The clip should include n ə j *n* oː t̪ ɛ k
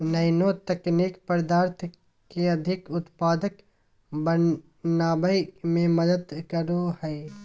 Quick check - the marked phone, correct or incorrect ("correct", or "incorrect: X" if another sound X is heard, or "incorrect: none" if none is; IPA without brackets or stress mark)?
correct